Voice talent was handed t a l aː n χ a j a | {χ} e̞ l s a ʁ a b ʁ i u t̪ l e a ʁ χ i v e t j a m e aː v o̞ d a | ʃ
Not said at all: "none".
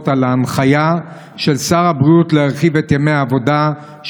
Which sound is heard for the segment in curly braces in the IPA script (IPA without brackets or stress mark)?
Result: ʃ